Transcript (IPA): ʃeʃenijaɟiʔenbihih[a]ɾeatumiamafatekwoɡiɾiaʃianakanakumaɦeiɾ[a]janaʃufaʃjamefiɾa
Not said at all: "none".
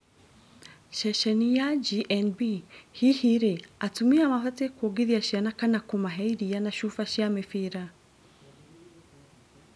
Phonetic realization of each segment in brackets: i, i

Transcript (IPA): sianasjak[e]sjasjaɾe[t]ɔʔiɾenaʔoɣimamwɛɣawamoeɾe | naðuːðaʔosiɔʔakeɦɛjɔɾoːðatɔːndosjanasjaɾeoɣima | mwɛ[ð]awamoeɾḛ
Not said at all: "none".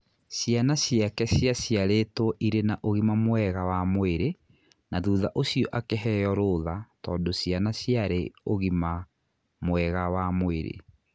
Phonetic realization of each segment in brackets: ɛ, t, ɣ

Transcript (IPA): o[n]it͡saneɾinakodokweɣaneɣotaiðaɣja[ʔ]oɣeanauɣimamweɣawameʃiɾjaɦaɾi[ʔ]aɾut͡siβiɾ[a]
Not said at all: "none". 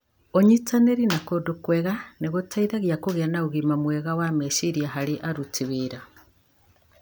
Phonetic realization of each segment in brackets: ɲ, k, ʔ, a

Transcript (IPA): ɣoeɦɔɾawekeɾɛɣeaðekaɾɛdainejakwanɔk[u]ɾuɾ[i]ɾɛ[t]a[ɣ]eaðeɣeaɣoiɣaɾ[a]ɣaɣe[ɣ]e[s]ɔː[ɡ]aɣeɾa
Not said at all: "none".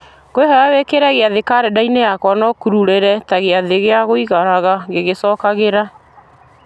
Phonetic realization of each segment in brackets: u, e, t, ɣ, a, ɣ, s, k

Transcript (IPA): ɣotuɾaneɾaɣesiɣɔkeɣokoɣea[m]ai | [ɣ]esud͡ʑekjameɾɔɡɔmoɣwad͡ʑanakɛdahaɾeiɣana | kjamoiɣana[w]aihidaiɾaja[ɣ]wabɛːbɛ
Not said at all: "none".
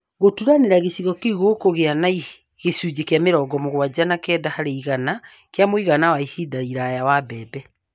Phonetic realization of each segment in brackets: n, ɣ, w, none

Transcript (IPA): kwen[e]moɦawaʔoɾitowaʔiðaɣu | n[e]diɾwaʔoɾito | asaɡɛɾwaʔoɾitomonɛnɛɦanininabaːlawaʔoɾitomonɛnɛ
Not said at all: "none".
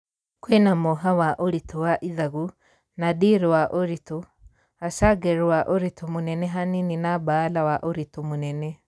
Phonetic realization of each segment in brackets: a, a

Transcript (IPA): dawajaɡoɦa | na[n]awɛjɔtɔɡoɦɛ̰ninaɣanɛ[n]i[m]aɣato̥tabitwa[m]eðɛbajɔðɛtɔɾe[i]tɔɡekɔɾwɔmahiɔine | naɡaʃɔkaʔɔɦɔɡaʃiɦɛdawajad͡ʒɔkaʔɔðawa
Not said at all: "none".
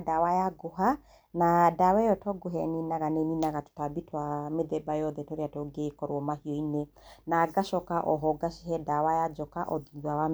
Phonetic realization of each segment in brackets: d, n, n, m, a

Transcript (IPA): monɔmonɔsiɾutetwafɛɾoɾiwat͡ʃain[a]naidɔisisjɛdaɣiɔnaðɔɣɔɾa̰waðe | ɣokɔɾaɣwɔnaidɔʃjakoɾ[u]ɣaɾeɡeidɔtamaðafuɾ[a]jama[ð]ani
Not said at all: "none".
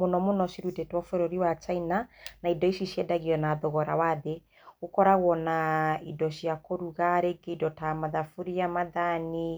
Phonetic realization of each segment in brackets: a, u, i, ð

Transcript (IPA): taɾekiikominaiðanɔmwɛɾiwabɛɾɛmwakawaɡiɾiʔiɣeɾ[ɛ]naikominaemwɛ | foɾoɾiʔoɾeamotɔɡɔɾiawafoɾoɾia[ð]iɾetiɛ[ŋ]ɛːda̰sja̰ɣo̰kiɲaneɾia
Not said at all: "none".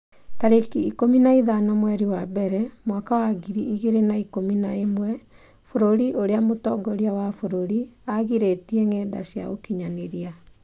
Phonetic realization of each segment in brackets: e, ɣ, ŋ

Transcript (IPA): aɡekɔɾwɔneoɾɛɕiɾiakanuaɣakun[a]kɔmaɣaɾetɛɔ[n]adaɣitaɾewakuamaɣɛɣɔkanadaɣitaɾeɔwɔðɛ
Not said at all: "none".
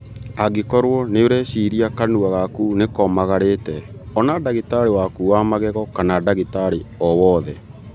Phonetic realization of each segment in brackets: e, n

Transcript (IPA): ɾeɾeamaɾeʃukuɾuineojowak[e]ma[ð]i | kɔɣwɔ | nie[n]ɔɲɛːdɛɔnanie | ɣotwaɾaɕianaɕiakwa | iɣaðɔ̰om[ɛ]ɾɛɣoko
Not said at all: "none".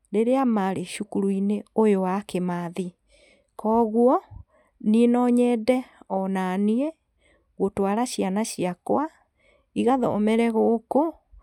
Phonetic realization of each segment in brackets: e, ð, n, ɛ

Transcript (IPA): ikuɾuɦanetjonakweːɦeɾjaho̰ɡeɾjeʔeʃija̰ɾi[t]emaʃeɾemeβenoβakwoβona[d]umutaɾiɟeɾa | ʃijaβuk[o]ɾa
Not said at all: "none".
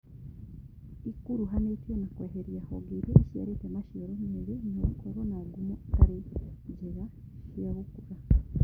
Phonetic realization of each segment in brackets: t, ɡ, u

